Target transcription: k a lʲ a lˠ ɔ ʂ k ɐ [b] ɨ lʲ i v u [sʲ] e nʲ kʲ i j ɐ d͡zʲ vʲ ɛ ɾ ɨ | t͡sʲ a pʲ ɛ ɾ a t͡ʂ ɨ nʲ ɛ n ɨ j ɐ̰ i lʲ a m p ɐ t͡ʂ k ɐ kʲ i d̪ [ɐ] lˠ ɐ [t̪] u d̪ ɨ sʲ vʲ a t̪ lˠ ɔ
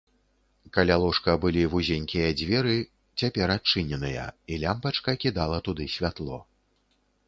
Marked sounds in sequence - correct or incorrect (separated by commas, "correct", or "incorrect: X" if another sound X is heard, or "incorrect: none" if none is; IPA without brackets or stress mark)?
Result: correct, incorrect: zʲ, incorrect: a, correct